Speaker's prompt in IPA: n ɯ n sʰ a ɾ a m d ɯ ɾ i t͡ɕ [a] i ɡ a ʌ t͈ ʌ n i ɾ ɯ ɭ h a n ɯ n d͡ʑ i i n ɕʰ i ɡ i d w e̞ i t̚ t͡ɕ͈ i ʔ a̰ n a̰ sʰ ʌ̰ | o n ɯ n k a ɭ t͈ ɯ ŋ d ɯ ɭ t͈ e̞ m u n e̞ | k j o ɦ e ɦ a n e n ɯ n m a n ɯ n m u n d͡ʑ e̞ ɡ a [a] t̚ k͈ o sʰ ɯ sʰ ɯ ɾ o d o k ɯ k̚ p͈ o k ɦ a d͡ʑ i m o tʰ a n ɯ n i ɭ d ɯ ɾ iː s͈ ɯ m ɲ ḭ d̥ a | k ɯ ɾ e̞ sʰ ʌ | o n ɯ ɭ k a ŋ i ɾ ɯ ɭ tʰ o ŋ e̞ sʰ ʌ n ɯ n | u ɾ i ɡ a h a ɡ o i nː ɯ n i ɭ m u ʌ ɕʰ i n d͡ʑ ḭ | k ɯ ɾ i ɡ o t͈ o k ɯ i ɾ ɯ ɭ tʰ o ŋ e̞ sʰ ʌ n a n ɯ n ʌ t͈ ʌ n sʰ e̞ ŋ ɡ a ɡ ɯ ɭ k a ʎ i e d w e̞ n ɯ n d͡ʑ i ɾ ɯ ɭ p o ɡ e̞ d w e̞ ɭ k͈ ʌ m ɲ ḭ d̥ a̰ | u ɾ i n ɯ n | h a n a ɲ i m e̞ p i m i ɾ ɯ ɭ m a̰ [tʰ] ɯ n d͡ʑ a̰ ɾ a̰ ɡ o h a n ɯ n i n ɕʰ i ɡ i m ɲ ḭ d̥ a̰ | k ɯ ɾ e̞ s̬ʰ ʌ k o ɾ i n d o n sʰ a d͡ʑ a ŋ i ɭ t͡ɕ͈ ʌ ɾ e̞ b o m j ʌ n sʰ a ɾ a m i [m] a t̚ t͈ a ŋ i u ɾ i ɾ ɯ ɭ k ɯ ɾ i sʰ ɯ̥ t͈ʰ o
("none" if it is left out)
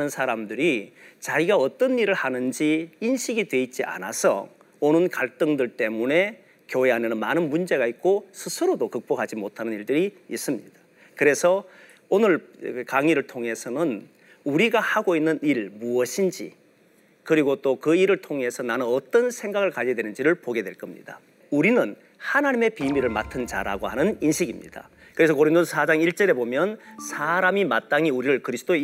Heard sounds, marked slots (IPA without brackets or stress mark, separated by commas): a, i, tʰ, m